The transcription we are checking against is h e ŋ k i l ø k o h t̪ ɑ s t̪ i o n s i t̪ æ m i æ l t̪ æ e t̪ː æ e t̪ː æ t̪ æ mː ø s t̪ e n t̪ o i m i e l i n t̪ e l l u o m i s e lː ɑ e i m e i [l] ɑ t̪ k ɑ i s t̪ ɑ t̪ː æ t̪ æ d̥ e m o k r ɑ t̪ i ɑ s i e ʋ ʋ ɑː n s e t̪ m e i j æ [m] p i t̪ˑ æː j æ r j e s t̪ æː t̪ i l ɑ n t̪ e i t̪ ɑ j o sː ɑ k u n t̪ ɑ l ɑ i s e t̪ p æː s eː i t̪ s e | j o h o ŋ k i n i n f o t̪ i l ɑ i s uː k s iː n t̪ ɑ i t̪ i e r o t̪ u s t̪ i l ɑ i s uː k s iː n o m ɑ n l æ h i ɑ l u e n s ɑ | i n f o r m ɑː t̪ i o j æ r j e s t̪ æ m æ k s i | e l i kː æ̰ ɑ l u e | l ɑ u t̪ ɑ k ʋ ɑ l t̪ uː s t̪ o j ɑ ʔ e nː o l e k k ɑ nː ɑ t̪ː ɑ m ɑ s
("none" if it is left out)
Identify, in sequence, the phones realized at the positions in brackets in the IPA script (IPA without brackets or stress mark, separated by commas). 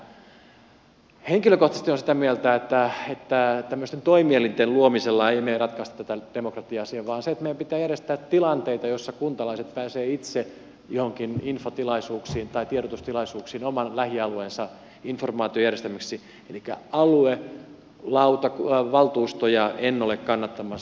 r, m